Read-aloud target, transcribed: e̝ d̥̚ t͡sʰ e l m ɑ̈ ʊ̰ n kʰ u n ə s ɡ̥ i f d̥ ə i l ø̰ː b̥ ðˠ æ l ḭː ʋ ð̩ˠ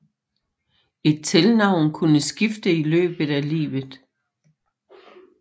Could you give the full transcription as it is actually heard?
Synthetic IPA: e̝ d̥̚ t͡sʰ e l n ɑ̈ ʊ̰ n kʰ u n ə s ɡ̥ i f d̥ ə i l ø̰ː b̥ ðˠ æ l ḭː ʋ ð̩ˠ